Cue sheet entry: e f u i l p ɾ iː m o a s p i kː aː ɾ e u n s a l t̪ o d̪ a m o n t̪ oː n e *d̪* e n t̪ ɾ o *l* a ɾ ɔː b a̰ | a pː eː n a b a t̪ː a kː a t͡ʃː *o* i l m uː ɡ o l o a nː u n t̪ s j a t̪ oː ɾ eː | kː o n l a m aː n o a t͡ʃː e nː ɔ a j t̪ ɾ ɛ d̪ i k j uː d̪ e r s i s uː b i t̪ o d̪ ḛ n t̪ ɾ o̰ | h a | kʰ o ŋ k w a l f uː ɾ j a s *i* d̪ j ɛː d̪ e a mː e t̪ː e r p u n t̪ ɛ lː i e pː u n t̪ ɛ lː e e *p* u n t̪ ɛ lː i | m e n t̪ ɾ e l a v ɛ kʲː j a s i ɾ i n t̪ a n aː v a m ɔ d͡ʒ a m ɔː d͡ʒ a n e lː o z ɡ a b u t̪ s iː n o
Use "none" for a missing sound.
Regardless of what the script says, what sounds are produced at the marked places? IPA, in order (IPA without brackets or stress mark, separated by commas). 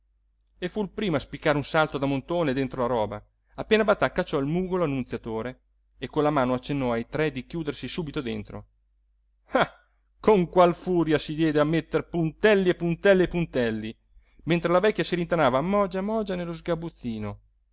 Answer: d̪, l, ɔ, i, p